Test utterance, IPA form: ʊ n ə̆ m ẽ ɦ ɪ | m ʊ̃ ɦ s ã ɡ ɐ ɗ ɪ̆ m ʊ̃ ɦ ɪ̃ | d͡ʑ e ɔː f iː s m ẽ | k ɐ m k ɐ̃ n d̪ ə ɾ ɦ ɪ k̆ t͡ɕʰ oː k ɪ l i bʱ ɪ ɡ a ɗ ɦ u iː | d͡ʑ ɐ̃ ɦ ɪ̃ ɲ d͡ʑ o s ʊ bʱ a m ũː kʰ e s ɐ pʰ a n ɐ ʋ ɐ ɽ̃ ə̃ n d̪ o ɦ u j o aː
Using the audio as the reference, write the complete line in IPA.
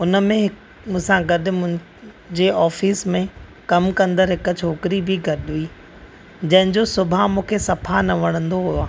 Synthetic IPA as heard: ʊ n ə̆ m ẽ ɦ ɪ | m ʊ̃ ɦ s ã ɡ ɐ ɗ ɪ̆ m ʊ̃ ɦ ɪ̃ | d͡ʑ e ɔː f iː s m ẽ | k ɐ m k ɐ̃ n d̪ ə ɾ ɦ ɪ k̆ t͡ɕʰ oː k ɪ ɾ i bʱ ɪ ɡ ɐ ɗ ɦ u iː | d͡ʑ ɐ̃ ɦ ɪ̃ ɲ d͡ʑ o s ʊ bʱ a m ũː kʰ e s ɐ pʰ a n ɐ ʋ ɐ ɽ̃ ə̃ n d̪ o ɦ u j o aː